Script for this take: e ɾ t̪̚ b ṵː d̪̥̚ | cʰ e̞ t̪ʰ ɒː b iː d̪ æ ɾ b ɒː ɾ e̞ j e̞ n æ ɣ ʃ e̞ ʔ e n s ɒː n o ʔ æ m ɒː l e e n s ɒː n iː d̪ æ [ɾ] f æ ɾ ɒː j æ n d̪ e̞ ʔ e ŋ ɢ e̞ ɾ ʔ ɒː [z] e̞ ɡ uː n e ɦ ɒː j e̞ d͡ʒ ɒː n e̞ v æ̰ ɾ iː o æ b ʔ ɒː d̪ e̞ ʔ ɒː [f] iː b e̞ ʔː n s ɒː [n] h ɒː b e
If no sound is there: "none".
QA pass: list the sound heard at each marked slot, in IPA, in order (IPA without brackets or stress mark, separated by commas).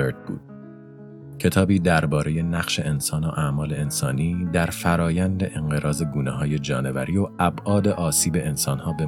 ɾ, z, s, n